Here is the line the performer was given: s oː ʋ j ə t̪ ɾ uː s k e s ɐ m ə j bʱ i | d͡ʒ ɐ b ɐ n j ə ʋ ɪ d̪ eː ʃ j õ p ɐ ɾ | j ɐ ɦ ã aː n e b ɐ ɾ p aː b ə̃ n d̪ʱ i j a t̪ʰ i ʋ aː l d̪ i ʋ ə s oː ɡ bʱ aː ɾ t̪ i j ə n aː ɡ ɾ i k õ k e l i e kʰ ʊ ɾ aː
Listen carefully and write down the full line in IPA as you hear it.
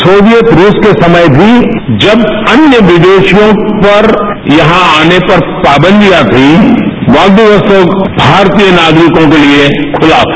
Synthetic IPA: s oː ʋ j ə t̪ ɾ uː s k e s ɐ m ə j bʱ i | d͡ʒ ɐ b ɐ n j ə ʋ ɪ d̪ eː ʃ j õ p ɐ ɾ | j ɐ ɦ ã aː n e p ɐ ɾ p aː b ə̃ n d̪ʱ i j a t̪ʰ i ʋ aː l d̪ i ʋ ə s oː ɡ bʱ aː ɾ t̪ i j ə n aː ɡ ɾ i k õ k e l i e kʰ ʊ l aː